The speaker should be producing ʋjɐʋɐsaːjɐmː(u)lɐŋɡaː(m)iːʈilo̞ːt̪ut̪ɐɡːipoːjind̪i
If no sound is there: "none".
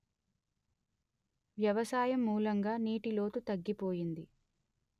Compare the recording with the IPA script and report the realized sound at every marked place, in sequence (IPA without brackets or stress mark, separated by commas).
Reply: uː, n